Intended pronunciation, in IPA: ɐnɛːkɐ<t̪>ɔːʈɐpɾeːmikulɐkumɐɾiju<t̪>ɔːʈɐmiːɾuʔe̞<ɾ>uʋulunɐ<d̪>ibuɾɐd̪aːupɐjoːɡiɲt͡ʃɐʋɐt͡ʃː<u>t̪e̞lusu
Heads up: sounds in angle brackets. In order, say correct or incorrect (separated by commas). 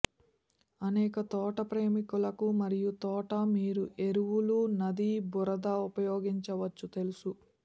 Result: correct, correct, correct, correct, correct